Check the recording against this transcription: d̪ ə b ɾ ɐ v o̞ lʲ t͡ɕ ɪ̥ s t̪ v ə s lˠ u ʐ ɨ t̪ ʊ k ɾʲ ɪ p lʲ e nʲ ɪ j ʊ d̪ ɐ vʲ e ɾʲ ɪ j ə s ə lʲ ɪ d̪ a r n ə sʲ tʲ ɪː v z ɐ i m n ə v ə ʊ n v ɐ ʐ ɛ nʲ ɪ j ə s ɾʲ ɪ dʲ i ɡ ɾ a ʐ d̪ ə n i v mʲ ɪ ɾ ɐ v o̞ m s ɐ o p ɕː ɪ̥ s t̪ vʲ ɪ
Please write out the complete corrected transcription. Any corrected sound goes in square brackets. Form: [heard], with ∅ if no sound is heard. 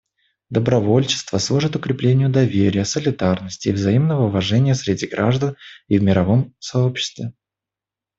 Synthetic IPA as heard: d̪ ə b ɾ ɐ v o̞ lʲ t͡ɕ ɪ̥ s t̪ v ə s lˠ u ʐ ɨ t̪ ʊ k ɾʲ ɪ p lʲ e nʲ ɪ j ʊ d̪ ɐ vʲ e ɾʲ ɪ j ə s ə lʲ ɪ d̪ a r n ə sʲ tʲ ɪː v z ɐ i m n ə v ə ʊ [∅] v ɐ ʐ ɛ nʲ ɪ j ə s ɾʲ ɪ dʲ i ɡ ɾ a ʐ d̪ ə n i v mʲ ɪ ɾ ɐ v o̞ m s ɐ o p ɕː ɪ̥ s t̪ vʲ ɪ